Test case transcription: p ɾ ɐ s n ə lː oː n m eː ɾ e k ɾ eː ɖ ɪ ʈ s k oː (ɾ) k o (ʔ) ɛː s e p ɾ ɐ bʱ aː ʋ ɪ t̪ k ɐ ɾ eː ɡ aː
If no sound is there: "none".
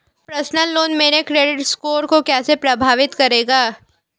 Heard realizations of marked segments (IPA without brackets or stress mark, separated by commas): ɾ, k